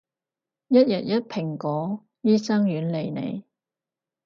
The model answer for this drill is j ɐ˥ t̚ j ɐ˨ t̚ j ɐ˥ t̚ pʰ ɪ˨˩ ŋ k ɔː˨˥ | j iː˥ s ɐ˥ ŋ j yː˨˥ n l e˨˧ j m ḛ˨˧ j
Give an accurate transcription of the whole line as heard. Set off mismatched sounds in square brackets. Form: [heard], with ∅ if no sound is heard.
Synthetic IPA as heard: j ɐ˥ t̚ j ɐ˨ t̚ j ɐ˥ t̚ pʰ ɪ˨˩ ŋ k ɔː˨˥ | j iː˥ s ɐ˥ ŋ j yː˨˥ n l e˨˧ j [n] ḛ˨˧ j